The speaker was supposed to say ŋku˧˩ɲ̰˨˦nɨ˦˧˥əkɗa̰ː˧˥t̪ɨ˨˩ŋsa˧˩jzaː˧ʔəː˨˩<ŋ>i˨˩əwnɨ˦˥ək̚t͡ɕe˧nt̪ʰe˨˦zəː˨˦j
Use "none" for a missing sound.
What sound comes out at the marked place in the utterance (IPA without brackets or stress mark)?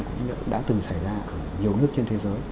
ɲ